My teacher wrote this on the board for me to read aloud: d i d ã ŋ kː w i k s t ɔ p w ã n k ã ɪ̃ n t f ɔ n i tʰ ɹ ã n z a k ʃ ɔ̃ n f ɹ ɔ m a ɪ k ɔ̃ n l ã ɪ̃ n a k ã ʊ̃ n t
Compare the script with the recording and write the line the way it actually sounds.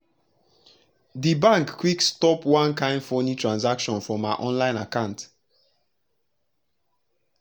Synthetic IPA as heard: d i b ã ŋ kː w i k s t ɔ p w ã n k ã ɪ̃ n d f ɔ n i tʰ ɹ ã n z a k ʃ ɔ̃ n f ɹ ɔ m a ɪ ʔ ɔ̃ n l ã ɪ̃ n a k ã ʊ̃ n t